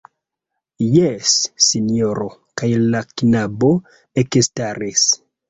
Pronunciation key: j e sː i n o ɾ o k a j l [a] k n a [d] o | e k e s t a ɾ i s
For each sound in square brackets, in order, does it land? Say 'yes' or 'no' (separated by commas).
yes, no